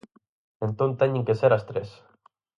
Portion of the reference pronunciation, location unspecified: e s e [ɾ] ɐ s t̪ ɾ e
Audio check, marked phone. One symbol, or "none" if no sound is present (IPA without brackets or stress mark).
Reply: ɾ